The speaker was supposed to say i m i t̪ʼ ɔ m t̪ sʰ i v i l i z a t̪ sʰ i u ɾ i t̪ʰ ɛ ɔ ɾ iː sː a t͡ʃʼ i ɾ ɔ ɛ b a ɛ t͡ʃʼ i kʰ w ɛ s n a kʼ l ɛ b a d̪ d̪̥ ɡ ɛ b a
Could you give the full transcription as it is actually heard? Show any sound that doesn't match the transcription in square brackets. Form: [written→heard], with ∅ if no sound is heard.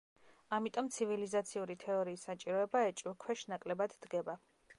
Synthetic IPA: [i→a] m i t̪ʼ ɔ m t̪ sʰ i v i l i z a t̪ sʰ i u ɾ i t̪ʰ ɛ ɔ ɾ iː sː a t͡ʃʼ i ɾ ɔ ɛ b a ɛ t͡ʃʼ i kʰ w ɛ [s→ʃ] n a kʼ l ɛ b a d̪ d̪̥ ɡ ɛ b a